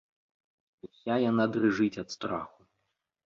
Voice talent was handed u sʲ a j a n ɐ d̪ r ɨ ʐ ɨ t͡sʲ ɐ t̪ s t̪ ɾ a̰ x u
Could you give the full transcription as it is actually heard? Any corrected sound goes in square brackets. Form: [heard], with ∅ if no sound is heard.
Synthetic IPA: u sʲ a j a n [a] d̪ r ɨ ʐ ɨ t͡sʲ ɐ t̪ s t̪ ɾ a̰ x u